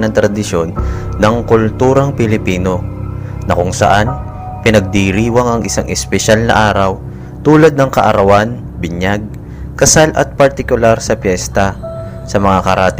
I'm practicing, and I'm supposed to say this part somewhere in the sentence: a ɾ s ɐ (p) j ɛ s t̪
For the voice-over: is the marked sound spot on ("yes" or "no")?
yes